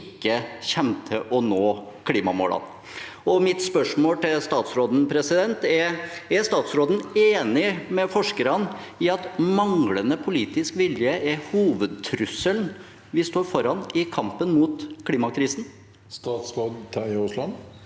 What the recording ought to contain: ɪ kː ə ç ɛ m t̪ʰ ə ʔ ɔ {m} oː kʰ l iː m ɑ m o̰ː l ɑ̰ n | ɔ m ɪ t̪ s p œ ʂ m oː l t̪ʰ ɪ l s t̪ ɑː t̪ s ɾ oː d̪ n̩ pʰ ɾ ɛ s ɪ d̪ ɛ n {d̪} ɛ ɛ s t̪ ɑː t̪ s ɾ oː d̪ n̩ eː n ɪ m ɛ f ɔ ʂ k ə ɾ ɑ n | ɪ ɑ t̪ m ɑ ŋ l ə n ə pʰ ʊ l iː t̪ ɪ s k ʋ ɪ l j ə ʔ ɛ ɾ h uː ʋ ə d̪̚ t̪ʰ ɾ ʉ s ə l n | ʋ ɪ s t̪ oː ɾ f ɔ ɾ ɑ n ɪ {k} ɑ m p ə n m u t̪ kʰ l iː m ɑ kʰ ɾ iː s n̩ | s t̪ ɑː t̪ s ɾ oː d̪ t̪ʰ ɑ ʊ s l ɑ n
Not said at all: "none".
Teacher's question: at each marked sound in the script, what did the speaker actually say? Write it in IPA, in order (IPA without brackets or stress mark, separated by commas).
n, t̪, kʰ